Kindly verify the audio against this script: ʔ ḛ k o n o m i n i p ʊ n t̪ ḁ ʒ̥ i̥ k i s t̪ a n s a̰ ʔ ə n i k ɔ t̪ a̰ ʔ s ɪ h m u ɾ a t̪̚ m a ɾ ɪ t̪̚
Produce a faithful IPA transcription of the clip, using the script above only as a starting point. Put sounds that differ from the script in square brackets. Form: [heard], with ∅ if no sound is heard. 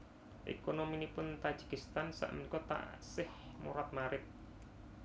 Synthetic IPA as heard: ʔ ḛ k o n o m i n i p ʊ n t̪ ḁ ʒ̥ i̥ k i s t̪ a n s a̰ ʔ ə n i k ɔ t̪ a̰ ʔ s ɪ h m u ɾ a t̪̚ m a ɾ ɪ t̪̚

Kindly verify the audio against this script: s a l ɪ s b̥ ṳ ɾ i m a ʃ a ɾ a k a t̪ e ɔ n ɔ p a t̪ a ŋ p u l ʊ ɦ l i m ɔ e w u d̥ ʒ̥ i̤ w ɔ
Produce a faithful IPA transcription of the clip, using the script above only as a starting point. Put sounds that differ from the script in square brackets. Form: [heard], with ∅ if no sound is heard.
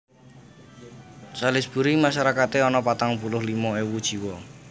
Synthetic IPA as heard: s a l ɪ s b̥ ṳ ɾ i m a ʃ a ɾ a k a t̪ e ɔ n ɔ p a t̪ a ŋ p u l ʊ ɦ l i m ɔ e w u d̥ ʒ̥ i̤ w ɔ

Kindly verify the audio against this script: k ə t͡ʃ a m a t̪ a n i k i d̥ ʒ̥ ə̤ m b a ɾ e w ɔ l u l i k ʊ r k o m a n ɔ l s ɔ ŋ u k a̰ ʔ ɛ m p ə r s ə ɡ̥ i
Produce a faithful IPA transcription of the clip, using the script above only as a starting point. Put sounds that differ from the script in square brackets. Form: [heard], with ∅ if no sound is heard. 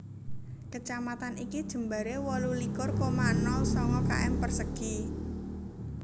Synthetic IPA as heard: k ə t͡ʃ a m a t̪ a n i k i d̥ ʒ̥ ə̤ m b a ɾ e w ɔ l u l i k ʊ r k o m a n ɔ l s ɔ ŋ [ɔ] k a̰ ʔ ɛ m p ə r s ə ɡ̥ i

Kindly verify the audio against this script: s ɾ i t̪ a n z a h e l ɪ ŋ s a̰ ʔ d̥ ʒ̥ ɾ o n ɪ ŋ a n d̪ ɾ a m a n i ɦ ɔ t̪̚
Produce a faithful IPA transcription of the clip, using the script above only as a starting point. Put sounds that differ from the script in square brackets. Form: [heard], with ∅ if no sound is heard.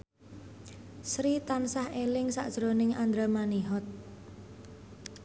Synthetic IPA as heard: s ɾ i t̪ a n [s] a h e l ɪ ŋ s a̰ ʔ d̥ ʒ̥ ɾ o n ɪ ŋ a n d̪ ɾ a m a n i ɦ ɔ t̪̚

